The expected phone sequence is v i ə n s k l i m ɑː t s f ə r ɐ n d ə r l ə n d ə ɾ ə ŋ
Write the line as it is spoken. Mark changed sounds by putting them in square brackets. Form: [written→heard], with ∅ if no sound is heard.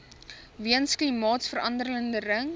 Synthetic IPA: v i ə n s k l i m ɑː t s f ə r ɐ n d ə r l ə n d ə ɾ ə ŋ